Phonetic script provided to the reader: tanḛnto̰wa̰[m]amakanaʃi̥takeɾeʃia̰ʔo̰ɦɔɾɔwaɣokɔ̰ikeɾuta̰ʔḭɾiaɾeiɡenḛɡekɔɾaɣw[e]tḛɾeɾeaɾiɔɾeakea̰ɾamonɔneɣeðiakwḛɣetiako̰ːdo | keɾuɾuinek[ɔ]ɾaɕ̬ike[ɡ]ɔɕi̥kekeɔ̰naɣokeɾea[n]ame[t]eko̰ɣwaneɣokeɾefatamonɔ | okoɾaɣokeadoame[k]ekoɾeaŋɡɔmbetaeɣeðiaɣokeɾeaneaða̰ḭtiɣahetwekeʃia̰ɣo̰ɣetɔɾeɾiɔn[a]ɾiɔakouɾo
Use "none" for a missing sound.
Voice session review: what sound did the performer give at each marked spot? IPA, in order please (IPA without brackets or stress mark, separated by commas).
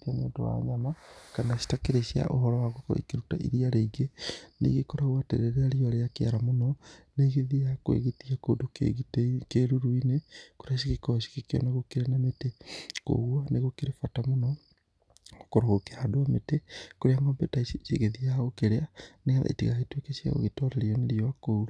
ɲ, a, o, k, n, t, t, e